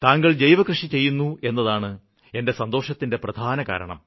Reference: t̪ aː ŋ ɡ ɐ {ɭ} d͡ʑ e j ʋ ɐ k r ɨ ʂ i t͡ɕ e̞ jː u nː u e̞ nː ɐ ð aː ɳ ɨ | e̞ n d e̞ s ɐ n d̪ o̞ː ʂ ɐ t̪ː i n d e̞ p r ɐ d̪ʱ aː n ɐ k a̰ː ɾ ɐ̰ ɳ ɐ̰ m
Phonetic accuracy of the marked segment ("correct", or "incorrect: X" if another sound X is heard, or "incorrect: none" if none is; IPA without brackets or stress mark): correct